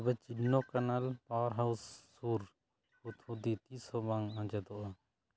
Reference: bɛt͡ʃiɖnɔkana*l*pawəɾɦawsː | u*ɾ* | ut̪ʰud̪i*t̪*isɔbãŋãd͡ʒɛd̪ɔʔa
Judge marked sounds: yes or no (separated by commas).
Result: yes, yes, yes